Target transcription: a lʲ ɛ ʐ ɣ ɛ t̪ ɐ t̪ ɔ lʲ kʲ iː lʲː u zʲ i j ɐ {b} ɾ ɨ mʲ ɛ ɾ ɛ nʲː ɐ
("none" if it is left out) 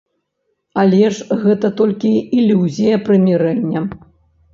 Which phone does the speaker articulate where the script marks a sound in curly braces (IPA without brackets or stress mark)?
p